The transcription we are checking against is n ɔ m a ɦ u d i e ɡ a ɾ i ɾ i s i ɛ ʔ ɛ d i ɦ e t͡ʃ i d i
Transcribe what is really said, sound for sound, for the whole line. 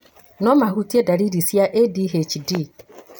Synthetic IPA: n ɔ m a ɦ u t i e d a ɾ i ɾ i s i a ʔ e d i ɦ e t͡ʃ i d i